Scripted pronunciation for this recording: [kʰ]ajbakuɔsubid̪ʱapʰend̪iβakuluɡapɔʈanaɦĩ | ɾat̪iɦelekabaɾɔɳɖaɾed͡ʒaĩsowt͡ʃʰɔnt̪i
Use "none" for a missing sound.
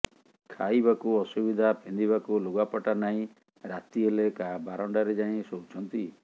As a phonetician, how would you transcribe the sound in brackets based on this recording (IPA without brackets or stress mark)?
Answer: kʰ